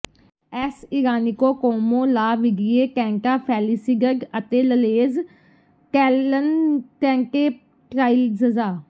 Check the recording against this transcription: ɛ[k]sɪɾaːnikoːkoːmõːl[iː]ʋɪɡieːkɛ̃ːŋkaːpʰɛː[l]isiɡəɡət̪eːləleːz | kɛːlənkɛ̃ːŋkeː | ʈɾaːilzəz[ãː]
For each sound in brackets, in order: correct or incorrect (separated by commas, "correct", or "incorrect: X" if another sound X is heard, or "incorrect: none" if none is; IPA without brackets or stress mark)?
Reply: incorrect: none, incorrect: aː, correct, incorrect: aː